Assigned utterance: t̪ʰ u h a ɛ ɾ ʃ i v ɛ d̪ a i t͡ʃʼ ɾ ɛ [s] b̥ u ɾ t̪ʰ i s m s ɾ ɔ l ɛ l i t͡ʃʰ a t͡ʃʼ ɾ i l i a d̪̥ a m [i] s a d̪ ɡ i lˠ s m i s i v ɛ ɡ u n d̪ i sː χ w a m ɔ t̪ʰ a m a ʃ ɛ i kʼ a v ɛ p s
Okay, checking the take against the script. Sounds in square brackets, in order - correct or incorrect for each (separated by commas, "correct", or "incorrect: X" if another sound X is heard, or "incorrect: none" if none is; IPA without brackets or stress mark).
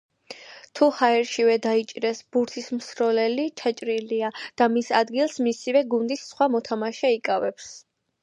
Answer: correct, correct